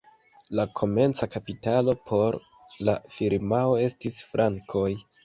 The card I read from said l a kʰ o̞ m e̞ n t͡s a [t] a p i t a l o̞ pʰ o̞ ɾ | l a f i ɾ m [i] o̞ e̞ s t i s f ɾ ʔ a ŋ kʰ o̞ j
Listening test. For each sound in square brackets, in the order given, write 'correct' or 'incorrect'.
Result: incorrect: k, incorrect: a

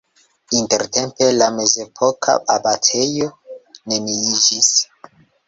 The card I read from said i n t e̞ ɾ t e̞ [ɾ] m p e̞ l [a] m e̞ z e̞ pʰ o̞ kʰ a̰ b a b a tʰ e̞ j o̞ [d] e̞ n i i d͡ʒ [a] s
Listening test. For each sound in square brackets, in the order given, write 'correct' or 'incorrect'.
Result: incorrect: none, correct, incorrect: n, incorrect: i

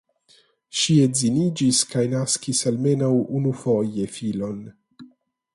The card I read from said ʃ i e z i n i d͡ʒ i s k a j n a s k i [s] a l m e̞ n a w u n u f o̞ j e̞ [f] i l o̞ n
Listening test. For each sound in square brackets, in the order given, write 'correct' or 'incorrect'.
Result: correct, correct

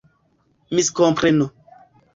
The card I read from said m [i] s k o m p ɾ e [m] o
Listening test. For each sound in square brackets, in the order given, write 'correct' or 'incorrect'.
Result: correct, incorrect: n

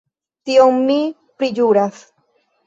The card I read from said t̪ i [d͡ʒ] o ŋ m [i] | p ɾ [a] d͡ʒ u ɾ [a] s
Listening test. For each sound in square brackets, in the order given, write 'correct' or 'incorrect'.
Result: incorrect: none, correct, incorrect: i, correct

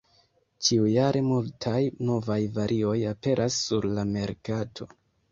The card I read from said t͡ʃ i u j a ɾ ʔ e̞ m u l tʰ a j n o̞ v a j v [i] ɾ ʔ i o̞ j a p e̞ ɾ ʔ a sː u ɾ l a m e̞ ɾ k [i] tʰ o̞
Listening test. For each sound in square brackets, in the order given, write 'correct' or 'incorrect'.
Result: incorrect: a, incorrect: a

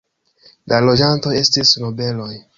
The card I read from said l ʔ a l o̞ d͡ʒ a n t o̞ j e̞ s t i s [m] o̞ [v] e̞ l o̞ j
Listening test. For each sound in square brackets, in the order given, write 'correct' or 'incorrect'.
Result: incorrect: n, incorrect: b

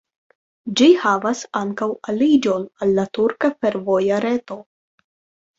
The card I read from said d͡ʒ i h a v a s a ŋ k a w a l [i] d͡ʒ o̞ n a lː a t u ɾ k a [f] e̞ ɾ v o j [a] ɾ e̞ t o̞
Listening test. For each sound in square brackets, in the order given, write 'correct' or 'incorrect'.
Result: correct, correct, correct

